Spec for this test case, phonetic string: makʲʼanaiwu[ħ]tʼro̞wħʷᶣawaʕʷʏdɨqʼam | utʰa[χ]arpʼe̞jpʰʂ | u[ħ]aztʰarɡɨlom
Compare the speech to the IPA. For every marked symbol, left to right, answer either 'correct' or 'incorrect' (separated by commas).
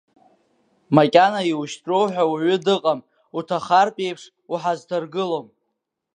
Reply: incorrect, correct, correct